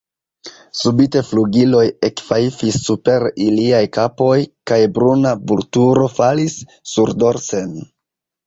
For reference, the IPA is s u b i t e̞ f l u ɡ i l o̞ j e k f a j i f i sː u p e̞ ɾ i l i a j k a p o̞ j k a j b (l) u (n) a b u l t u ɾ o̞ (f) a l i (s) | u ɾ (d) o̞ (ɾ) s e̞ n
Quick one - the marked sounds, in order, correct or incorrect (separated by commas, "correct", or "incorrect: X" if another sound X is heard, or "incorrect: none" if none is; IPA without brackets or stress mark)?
incorrect: ɾ, correct, correct, incorrect: sː, correct, correct